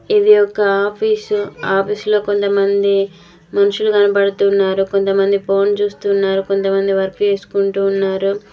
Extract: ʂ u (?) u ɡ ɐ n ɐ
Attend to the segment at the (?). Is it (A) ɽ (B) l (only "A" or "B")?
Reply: B